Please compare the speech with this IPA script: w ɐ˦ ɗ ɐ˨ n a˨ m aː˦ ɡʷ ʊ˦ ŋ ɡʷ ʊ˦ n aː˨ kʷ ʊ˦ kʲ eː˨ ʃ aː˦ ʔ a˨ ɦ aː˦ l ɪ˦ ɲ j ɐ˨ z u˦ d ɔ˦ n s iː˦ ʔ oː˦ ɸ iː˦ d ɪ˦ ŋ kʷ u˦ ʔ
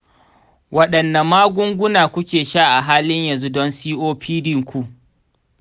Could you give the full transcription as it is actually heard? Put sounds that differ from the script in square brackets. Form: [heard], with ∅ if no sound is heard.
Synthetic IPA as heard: w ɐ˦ ɗ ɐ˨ [nː] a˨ m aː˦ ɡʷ ʊ˦ ŋ ɡʷ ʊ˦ n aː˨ kʷ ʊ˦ kʲ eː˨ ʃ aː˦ ʔ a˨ ɦ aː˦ l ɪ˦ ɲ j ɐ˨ z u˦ d ɔ˦ n s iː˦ ʔ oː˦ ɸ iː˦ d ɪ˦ ŋ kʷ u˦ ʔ